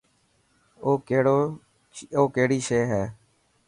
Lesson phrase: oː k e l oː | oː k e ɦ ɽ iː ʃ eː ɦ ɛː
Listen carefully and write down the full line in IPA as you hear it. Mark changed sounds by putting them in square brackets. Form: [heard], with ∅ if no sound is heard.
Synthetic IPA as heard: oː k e [ɽ] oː | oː k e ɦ ɽ iː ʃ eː ɦ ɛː